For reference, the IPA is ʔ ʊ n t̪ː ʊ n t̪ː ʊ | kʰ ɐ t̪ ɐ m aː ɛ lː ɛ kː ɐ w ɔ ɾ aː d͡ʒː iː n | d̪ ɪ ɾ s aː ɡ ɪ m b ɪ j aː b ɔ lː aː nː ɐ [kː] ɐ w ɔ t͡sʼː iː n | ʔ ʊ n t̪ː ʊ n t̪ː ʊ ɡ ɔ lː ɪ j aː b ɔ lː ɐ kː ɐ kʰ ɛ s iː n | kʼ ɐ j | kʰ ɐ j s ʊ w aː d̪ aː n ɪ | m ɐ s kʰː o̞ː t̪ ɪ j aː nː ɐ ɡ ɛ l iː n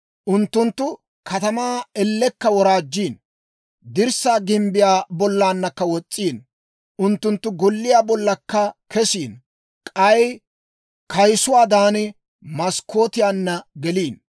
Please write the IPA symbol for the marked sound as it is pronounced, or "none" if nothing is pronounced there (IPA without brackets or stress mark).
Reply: kː